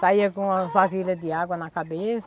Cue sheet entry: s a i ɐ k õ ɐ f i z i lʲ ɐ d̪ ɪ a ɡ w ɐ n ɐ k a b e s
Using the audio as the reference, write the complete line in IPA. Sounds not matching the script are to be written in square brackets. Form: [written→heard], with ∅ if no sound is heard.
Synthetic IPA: s a i ɐ k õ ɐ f [i→a] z i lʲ ɐ d̪ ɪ a ɡ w ɐ n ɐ k a b e s